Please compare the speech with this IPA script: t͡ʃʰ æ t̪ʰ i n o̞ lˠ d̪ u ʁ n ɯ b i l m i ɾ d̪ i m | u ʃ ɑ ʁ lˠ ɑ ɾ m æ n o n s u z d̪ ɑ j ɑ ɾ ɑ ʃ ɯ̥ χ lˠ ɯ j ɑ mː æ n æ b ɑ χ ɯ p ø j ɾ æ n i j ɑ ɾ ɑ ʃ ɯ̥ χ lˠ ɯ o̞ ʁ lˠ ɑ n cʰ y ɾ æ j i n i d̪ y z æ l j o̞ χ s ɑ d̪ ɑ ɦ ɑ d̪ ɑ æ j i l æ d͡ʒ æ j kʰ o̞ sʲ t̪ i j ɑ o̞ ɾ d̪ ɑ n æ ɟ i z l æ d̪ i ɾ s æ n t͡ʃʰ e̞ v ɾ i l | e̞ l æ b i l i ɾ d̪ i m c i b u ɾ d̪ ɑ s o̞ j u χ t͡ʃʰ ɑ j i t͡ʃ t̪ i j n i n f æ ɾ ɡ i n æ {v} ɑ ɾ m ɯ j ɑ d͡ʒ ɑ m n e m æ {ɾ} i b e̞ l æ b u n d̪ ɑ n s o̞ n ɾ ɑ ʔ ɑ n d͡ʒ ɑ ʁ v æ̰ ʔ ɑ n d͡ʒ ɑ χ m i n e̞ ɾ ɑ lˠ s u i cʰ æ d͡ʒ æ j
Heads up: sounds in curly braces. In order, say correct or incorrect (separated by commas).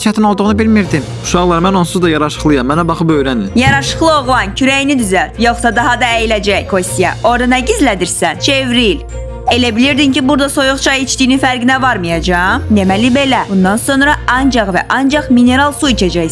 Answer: correct, incorrect